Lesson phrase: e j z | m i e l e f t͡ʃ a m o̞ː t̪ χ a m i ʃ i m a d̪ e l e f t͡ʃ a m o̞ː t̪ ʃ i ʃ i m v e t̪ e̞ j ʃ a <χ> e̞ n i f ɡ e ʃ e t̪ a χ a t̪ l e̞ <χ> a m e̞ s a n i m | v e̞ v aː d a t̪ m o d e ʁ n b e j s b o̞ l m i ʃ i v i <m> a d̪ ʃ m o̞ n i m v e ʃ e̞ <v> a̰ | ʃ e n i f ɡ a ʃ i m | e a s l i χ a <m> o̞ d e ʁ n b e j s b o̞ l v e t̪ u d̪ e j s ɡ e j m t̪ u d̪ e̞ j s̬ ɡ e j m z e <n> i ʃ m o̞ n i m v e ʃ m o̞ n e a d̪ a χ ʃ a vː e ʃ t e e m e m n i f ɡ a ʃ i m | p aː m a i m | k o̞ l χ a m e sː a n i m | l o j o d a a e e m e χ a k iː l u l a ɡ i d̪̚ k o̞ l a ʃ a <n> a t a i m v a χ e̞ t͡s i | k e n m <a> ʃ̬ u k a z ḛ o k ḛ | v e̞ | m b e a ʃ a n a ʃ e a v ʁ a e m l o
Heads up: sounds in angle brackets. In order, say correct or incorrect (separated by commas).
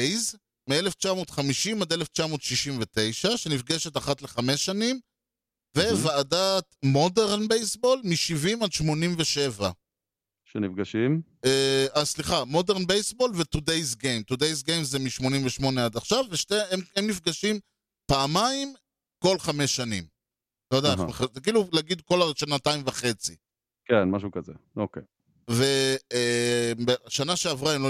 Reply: incorrect, correct, correct, correct, correct, incorrect, correct, correct